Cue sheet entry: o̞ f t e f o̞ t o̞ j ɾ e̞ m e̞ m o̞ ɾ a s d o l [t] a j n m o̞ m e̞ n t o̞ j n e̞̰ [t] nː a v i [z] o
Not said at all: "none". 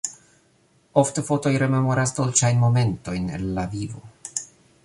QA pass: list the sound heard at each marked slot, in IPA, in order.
t͡ʃ, none, v

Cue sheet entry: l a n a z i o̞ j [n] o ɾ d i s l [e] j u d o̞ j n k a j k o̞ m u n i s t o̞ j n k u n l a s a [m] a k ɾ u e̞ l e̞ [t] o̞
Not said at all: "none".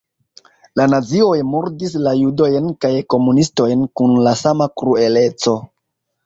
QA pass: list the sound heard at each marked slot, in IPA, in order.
m, a, m, t͡s

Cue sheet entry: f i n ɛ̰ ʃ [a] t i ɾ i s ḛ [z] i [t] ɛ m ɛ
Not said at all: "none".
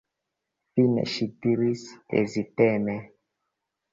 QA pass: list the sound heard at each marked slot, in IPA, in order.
i, z, t

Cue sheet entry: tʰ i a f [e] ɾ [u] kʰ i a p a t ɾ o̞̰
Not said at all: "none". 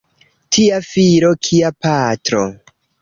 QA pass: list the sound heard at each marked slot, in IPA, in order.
i, o

